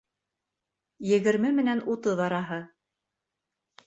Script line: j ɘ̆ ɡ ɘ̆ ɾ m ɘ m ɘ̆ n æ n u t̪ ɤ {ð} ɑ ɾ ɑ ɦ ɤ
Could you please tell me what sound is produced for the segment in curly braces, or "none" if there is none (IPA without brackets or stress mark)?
ð